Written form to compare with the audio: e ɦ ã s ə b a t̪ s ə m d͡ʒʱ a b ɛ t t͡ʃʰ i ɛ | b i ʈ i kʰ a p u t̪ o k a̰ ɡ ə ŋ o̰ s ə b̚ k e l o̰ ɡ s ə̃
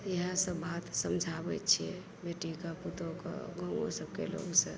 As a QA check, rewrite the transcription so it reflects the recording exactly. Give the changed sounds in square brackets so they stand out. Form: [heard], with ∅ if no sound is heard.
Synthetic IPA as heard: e ɦ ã s ə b a t̪ s ə m d͡ʒʱ a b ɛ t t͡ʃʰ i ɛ | b [e] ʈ i [k] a p u t̪ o k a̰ ɡ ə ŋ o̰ s ə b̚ k e l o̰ ɡ s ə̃